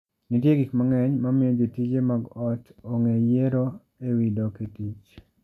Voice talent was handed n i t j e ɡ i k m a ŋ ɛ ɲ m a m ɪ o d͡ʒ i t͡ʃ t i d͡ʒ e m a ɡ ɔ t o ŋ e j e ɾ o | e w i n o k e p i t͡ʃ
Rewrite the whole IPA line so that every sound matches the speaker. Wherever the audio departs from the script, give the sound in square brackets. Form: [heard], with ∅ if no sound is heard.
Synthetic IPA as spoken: n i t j e ɡ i k m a ŋ ɛ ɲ m a m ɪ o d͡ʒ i [∅] t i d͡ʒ e m a ɡ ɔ t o ŋ e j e ɾ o | e w i [d] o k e [t] i t͡ʃ